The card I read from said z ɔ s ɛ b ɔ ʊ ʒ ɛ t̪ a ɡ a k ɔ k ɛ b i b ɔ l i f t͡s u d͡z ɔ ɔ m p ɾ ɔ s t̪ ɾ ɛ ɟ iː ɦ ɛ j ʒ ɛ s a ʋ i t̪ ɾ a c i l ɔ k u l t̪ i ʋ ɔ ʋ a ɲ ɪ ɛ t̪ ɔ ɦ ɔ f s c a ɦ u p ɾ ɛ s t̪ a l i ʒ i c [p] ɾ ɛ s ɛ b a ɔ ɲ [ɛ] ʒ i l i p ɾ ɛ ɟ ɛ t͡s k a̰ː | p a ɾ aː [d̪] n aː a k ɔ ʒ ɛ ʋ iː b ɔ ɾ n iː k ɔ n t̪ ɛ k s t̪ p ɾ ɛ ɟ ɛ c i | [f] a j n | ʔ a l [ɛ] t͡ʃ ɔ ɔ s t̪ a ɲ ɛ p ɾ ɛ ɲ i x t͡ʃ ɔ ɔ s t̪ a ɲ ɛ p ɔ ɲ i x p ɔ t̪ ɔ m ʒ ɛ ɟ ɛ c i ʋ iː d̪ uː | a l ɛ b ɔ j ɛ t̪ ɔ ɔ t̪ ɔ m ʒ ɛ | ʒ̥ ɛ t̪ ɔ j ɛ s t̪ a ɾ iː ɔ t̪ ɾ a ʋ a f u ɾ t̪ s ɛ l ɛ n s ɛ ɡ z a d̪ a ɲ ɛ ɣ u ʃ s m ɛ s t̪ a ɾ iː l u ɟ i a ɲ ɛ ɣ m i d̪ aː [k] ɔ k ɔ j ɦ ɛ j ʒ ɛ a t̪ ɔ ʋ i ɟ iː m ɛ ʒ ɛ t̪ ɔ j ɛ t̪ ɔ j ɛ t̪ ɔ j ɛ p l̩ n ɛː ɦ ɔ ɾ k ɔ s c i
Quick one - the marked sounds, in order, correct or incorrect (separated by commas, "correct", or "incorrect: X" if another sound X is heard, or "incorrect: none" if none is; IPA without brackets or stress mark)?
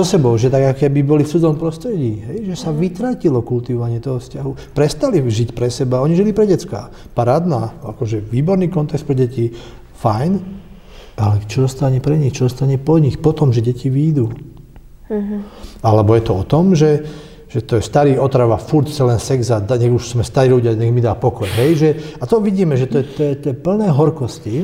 correct, incorrect: i, correct, correct, correct, incorrect: p